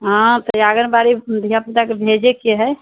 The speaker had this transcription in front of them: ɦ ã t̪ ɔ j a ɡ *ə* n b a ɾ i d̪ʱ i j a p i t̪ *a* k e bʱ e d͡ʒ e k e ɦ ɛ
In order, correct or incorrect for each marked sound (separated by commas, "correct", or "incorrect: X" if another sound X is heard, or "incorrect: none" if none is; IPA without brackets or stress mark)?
correct, correct